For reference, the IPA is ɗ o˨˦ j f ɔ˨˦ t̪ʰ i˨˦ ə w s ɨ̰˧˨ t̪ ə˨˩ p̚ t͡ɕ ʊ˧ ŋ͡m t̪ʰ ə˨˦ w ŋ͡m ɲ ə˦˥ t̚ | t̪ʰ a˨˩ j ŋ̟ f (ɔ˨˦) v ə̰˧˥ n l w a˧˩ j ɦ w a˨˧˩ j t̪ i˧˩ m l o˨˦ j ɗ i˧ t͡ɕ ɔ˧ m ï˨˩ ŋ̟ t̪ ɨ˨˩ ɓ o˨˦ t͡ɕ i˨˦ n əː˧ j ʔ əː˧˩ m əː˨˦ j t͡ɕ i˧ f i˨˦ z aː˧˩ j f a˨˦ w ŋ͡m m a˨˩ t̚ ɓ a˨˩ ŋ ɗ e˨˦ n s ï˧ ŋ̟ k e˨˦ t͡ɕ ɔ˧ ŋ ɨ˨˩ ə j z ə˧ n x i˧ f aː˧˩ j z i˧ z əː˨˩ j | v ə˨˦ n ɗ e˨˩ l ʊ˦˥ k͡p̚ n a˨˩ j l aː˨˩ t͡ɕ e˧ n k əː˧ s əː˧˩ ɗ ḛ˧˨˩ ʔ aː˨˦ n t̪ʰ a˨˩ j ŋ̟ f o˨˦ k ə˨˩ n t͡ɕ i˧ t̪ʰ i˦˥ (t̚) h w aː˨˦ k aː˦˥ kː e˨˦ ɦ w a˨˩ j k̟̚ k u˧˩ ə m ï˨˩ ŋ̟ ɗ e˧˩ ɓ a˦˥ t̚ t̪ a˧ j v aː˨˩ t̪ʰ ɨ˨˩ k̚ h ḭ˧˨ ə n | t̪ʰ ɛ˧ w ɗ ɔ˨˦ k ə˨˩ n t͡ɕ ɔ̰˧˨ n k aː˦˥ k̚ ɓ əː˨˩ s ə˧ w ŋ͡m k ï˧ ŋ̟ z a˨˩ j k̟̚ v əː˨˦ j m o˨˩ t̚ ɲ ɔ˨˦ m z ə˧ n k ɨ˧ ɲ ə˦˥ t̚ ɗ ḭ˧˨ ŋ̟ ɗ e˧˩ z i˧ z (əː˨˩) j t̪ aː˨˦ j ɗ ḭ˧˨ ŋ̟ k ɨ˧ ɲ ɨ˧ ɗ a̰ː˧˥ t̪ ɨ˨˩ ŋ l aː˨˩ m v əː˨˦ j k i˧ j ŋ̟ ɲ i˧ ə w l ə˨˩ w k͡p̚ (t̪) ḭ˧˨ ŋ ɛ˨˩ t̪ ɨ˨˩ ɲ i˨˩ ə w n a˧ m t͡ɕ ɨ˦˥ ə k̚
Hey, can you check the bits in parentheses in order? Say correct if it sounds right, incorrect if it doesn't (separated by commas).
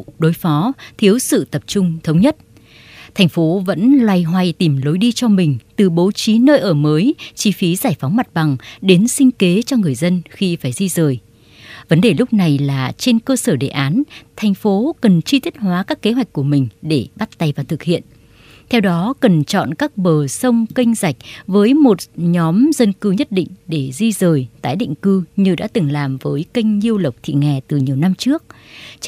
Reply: incorrect, correct, correct, incorrect